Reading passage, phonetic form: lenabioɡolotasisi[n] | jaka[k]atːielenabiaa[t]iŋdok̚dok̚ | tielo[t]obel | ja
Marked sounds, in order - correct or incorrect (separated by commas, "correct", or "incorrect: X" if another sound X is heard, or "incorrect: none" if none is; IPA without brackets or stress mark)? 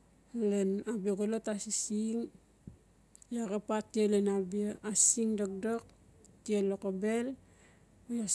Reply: incorrect: ŋ, incorrect: p, incorrect: s, incorrect: k